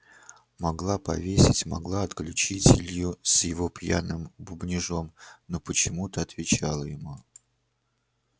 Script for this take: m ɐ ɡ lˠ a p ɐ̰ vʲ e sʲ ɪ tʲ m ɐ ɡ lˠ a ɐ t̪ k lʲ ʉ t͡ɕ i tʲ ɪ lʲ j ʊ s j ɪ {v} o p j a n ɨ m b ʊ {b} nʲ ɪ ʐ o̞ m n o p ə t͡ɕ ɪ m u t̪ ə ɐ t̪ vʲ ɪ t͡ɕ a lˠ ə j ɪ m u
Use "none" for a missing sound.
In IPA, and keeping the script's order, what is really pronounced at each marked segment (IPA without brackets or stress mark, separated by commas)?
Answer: v, b